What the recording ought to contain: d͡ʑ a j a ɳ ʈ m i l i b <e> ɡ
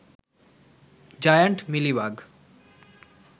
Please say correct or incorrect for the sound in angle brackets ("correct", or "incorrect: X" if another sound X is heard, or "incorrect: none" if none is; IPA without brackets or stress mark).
incorrect: a